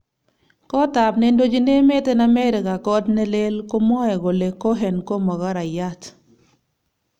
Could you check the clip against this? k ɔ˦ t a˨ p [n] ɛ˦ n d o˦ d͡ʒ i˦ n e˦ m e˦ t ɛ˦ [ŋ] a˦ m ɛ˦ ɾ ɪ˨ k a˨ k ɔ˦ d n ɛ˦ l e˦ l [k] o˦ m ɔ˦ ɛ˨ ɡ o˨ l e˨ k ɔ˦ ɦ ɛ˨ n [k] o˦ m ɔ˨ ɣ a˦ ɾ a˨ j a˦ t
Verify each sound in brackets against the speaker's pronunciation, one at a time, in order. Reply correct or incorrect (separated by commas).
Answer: correct, incorrect, correct, correct